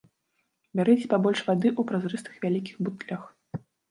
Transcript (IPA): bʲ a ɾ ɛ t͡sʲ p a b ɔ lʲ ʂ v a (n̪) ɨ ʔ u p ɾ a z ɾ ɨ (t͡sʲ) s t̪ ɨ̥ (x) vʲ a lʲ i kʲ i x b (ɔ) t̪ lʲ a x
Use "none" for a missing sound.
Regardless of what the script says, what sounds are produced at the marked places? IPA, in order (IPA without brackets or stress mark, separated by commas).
d̪, none, x, u